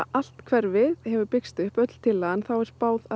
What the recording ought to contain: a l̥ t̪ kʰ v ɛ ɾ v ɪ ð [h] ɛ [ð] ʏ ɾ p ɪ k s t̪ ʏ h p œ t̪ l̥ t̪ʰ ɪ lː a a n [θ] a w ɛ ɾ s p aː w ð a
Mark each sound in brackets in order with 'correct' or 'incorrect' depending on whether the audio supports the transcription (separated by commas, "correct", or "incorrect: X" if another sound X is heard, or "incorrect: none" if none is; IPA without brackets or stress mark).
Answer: correct, incorrect: v, correct